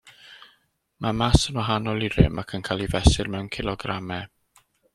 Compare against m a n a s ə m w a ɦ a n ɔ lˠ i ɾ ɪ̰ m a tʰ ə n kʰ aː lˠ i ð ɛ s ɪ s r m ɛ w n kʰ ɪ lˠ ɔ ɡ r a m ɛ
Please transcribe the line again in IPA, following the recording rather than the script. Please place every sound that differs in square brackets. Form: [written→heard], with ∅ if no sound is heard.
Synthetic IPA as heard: m a [n→m] a s ə [m→n] w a ɦ a n ɔ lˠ i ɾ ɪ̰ m a [tʰ→kʰ] ə n kʰ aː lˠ i [ð→v] ɛ s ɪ [s→∅] r m ɛ w n kʰ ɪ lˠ ɔ ɡ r a m ɛ